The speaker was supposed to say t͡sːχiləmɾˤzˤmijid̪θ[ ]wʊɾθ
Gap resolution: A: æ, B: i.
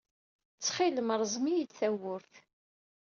A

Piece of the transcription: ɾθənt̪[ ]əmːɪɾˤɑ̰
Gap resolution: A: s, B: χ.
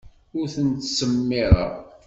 A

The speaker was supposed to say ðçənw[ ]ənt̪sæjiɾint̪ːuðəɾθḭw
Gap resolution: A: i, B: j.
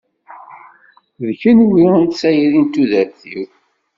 A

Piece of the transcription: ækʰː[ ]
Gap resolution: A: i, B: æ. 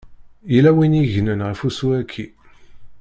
A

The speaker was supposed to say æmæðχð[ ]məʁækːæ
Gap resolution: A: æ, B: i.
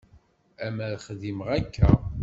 B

